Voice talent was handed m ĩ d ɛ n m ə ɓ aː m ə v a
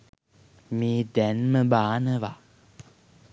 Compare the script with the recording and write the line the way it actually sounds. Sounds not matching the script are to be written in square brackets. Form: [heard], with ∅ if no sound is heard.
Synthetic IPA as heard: m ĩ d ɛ n m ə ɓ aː [n] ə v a